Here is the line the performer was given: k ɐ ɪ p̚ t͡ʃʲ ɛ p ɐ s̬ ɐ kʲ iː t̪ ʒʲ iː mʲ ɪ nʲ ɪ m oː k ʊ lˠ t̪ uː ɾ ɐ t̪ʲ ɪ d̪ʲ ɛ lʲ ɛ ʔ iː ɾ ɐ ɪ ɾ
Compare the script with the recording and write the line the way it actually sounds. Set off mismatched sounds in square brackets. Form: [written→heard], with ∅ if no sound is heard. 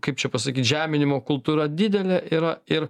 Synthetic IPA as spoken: k ɐ ɪ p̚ t͡ʃʲ ɛ p ɐ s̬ ɐ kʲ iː t̪ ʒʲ [iː→æː] mʲ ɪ nʲ ɪ m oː k ʊ lˠ t̪ uː ɾ ɐ [t̪ʲ→d̪ʲ] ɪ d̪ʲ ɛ lʲ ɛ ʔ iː ɾ ɐ ɪ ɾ

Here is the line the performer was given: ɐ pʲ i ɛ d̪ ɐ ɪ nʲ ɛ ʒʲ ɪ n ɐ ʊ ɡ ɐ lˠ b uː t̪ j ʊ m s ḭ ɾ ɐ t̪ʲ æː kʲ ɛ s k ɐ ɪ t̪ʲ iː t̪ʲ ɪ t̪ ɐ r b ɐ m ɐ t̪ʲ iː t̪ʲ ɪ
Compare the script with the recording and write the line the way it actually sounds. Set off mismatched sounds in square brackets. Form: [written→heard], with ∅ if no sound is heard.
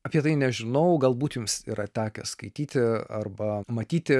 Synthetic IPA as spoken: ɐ pʲ i ɛ [d̪→t̪] ɐ ɪ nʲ ɛ ʒʲ ɪ n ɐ ʊ ɡ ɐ lˠ b uː t̪ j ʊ m s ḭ ɾ ɐ t̪ʲ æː kʲ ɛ s k ɐ ɪ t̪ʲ iː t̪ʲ ɪ [t̪→∅] ɐ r b ɐ m ɐ t̪ʲ iː t̪ʲ ɪ

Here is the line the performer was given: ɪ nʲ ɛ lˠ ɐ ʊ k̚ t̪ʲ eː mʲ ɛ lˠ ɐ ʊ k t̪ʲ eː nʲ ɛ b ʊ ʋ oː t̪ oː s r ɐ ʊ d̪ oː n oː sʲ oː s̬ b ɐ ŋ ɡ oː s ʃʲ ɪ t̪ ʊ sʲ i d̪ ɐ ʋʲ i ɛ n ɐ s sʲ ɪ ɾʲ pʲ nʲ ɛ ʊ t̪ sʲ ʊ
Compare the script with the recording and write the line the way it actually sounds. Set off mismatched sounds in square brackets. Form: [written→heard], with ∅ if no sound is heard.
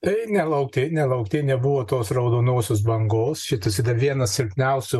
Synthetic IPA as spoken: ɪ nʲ ɛ lˠ ɐ ʊ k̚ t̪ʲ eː [mʲ→nʲ] ɛ lˠ ɐ ʊ k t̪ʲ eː nʲ ɛ b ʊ ʋ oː t̪ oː s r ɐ ʊ d̪ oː n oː sʲ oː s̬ b ɐ ŋ ɡ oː s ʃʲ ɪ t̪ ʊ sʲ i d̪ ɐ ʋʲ i ɛ n ɐ s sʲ ɪ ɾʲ pʲ nʲ ɛ ʊ [t̪→∅] sʲ ʊ

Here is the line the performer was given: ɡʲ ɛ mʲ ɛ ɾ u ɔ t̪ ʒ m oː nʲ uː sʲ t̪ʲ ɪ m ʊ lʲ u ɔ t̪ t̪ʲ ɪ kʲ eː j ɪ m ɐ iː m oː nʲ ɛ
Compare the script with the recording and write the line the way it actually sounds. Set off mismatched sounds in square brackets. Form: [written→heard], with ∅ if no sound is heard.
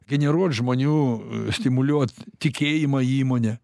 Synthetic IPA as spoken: ɡʲ ɛ [mʲ→nʲ] ɛ ɾ u ɔ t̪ ʒ m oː nʲ uː sʲ t̪ʲ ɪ m ʊ lʲ u ɔ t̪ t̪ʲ ɪ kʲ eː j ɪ m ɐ iː m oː nʲ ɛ

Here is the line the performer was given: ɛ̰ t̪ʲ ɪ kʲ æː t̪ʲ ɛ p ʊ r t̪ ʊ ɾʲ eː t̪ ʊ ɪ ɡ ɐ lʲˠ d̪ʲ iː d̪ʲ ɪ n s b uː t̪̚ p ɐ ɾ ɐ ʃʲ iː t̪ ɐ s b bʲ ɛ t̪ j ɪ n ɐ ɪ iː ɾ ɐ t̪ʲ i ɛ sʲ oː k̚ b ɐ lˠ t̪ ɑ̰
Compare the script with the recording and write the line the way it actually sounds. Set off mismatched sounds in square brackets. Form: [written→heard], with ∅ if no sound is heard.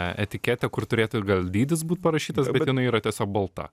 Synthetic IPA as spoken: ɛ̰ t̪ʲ ɪ kʲ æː t̪ʲ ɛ [p→k] ʊ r t̪ ʊ ɾʲ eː t̪ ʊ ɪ ɡ ɐ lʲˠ d̪ʲ iː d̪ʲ ɪ [n→∅] s b uː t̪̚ p ɐ ɾ ɐ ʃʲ iː t̪ ɐ s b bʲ ɛ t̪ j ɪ n ɐ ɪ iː ɾ ɐ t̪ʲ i ɛ sʲ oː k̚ b ɐ lˠ t̪ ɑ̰

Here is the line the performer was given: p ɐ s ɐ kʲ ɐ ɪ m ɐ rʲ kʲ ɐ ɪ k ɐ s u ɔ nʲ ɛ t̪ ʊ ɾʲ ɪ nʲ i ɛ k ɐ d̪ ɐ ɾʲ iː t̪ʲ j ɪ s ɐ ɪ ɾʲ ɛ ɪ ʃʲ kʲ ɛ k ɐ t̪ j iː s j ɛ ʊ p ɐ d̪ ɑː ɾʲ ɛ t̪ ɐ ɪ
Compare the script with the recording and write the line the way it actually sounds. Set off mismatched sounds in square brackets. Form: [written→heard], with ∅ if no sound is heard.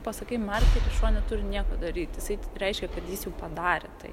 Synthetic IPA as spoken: p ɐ s ɐ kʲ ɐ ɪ m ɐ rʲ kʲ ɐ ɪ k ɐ [s→ʃ] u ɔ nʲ ɛ t̪ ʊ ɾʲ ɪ nʲ i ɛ k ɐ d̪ ɐ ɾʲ iː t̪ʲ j ɪ s ɐ ɪ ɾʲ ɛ ɪ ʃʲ kʲ ɛ k ɐ t̪ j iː s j ɛ ʊ p ɐ d̪ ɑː ɾʲ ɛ t̪ ɐ ɪ

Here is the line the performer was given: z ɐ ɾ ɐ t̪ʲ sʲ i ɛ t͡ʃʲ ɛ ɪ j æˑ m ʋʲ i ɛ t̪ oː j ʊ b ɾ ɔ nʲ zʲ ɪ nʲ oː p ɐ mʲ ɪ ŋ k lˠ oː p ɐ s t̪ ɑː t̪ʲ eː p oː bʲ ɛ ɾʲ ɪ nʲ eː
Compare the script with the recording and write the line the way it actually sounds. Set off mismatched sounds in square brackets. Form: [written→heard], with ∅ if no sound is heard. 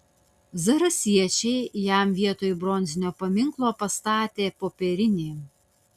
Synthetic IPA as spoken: z ɐ ɾ ɐ [t̪ʲ→∅] sʲ i ɛ t͡ʃʲ ɛ ɪ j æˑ m ʋʲ i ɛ t̪ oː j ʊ b ɾ ɔ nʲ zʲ ɪ nʲ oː p ɐ mʲ ɪ ŋ k lˠ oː p ɐ s t̪ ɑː t̪ʲ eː p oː [bʲ→pʲ] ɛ ɾʲ ɪ nʲ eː

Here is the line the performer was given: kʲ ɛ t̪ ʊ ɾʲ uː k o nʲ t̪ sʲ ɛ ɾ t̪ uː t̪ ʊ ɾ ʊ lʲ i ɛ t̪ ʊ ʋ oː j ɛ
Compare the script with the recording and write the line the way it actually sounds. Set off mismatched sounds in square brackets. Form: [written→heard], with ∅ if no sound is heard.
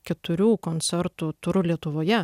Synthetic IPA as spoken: kʲ ɛ t̪ ʊ ɾʲ uː k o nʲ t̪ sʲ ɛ ɾ t̪ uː t̪ ʊ ɾ ʊ lʲ i ɛ t̪ ʊ ʋ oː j ɛ

